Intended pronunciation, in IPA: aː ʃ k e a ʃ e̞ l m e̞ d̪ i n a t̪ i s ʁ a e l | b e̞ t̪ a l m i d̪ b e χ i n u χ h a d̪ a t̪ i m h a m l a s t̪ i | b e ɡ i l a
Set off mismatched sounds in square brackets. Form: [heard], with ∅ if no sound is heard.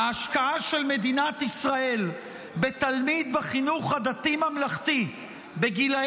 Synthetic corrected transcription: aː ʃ k [a] a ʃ e̞ l m e̞ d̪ i n a t̪ i s ʁ a e l | b e̞ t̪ a l m i d̪ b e χ i n u χ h a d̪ a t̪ i m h a m l a [χ] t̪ i | b e ɡ i l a